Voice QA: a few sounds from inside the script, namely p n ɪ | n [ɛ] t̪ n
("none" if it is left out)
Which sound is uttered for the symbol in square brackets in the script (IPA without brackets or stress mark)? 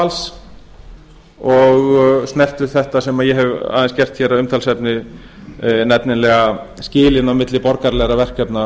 ɛ